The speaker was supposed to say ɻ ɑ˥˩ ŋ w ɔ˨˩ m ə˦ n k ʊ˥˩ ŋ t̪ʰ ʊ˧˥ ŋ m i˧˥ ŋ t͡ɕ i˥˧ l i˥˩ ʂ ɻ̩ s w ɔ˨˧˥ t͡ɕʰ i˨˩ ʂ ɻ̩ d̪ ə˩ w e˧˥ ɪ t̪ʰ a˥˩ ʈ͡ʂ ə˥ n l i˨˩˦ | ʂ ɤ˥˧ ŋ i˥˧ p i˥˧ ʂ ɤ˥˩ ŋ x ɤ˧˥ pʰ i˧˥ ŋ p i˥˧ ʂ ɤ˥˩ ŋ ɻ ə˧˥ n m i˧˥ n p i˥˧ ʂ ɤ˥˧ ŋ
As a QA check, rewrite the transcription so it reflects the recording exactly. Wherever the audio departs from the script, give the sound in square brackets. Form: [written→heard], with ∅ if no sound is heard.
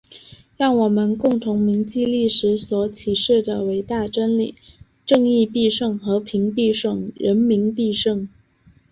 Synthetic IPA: ɻ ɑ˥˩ ŋ w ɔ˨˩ m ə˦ n k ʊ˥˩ ŋ t̪ʰ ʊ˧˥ ŋ m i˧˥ ŋ t͡ɕ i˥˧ l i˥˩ ʂ ɻ̩ s w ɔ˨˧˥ t͡ɕʰ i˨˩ ʂ ɻ̩ d̪ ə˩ w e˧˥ ɪ [t̪ʰ→t̪] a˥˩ ʈ͡ʂ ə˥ n l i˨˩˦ | [ʂ→ʈ͡ʂ] ɤ˥˧ ŋ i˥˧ p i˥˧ ʂ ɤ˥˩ ŋ x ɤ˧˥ pʰ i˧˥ ŋ p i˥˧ ʂ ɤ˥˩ ŋ ɻ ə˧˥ n m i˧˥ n p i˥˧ ʂ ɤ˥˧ ŋ